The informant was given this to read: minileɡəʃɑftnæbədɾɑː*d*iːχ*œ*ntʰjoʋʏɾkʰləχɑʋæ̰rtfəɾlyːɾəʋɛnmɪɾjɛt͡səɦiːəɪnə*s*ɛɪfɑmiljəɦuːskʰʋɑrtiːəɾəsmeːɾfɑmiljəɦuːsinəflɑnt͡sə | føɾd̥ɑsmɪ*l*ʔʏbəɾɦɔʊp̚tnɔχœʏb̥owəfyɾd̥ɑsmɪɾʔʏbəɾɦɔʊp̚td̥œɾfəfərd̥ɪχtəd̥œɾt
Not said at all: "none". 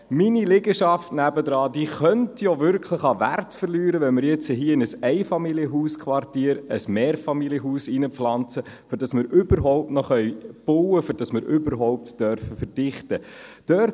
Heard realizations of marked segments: d, œ, s, ɾ

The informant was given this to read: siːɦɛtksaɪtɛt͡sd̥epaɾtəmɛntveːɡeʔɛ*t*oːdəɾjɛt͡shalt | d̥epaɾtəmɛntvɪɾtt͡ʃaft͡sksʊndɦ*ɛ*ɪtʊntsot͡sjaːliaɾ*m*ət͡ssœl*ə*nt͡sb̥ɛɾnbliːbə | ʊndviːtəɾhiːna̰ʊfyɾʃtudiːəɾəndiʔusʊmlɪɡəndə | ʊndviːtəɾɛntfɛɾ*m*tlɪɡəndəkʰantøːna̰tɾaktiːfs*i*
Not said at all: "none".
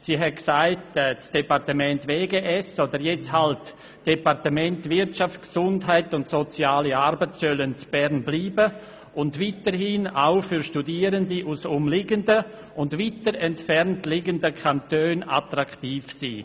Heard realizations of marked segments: s, a, b, ə, n, iː

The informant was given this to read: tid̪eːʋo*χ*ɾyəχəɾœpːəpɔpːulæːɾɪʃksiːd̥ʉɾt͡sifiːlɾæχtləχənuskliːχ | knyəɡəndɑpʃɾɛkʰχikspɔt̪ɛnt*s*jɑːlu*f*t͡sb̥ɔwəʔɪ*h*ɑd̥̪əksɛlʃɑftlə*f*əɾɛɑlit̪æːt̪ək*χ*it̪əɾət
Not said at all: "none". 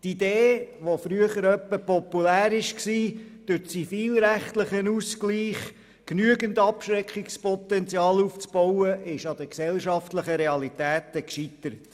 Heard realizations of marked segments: f, t͡s, f, ʃ, χ, ʃ

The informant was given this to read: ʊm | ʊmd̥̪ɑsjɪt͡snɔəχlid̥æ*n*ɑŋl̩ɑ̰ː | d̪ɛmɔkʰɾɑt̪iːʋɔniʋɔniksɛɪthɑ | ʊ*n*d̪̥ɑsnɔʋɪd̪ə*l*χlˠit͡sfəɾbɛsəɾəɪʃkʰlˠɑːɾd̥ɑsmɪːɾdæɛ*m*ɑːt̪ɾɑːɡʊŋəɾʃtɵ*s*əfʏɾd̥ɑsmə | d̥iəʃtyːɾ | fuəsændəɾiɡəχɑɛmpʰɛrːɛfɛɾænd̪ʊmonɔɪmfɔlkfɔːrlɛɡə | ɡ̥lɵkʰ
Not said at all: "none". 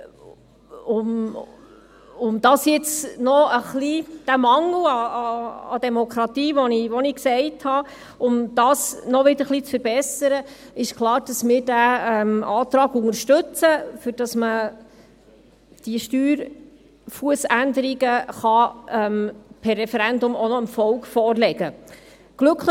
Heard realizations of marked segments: m, m, ɾ, m, t͡s

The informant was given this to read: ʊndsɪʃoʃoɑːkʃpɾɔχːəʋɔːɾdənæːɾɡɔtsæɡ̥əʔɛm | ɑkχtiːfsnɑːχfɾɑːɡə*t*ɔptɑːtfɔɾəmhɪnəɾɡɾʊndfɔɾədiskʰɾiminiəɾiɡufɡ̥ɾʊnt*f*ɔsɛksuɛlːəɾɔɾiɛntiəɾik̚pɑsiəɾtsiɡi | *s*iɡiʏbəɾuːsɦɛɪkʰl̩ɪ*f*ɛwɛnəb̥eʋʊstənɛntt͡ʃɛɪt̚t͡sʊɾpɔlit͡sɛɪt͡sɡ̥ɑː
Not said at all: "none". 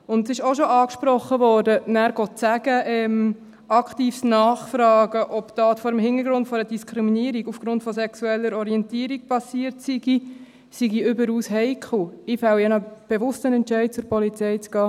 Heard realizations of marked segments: ʔ, f, s, f

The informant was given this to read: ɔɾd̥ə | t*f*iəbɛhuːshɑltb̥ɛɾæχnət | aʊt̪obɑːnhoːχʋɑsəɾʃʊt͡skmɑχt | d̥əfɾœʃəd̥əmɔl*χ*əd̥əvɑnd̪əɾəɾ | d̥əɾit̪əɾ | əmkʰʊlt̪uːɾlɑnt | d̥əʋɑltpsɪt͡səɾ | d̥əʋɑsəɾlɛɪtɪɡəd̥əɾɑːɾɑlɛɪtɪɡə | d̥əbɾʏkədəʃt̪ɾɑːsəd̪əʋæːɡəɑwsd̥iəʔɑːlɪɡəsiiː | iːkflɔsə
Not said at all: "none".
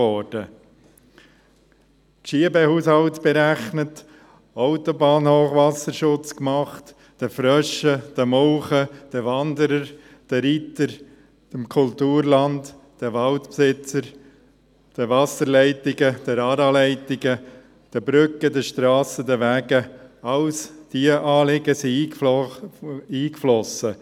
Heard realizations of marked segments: ʃ, χ

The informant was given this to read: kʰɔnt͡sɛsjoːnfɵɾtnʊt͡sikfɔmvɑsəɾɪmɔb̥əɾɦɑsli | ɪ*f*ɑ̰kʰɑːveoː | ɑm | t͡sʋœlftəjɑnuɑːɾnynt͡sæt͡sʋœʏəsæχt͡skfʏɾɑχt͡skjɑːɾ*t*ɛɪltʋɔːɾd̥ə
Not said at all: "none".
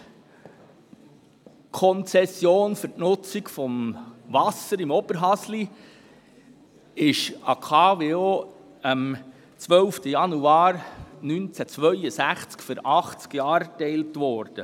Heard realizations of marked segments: ʃ, t

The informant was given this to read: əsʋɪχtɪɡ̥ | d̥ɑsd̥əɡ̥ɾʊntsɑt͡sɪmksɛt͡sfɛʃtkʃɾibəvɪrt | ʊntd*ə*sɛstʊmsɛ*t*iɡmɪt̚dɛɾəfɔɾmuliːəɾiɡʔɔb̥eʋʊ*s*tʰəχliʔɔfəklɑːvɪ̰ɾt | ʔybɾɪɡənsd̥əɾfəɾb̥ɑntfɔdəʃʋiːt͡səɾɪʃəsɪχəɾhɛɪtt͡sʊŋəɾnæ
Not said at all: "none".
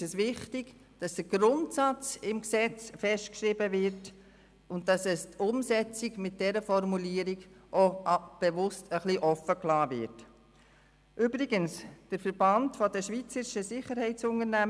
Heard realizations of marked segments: ɑ, t͡s, s

